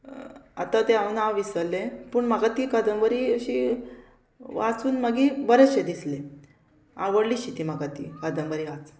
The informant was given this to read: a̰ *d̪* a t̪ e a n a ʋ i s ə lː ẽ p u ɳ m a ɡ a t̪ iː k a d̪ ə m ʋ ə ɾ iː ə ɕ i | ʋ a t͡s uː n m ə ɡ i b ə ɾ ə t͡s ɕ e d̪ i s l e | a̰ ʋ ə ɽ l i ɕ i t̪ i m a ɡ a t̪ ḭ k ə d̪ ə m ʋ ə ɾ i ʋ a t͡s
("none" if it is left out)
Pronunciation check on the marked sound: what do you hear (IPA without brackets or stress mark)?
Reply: t̪